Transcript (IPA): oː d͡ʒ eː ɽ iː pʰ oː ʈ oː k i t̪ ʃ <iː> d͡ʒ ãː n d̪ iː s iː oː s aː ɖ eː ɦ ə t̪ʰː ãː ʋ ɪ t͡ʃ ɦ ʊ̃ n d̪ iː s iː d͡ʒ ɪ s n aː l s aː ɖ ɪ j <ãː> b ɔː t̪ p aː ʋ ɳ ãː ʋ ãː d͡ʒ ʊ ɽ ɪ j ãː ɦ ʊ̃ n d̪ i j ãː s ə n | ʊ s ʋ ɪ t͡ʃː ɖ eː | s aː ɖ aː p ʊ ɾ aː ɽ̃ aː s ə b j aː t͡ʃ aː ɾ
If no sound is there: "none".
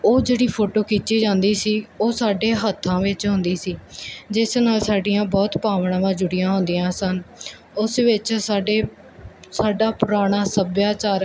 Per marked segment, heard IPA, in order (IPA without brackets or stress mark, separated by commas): iː, ãː